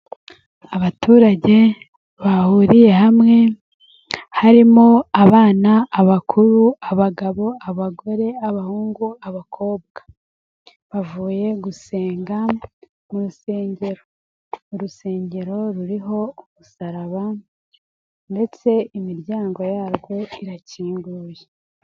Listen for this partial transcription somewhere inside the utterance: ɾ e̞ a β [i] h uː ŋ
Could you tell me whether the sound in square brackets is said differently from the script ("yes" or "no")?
yes